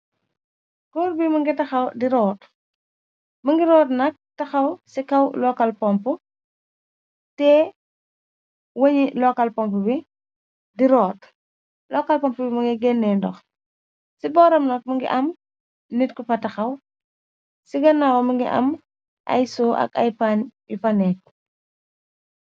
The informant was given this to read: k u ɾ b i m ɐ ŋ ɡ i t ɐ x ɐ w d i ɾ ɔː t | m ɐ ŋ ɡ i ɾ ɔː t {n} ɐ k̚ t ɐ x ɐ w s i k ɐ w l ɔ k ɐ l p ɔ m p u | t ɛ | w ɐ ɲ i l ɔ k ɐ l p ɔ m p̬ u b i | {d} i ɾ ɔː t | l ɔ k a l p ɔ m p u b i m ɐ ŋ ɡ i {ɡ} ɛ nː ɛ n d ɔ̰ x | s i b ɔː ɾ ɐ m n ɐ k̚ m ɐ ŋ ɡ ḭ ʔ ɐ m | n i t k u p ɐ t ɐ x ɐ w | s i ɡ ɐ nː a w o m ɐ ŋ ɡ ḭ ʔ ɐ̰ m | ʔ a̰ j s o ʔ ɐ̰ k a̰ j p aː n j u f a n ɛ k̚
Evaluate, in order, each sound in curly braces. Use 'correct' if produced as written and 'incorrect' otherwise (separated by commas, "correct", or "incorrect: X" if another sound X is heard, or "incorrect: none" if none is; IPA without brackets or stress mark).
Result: correct, correct, correct